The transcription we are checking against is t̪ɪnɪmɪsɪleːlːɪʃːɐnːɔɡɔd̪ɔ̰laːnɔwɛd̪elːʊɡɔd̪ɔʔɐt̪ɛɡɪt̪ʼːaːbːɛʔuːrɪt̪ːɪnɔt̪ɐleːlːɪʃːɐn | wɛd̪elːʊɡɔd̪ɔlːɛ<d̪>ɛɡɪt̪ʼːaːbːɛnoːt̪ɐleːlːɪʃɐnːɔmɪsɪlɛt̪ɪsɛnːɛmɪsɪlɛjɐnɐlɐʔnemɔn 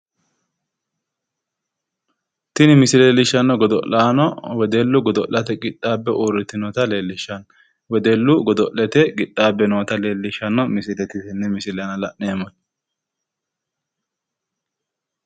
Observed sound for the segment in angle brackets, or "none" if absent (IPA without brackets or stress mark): t̪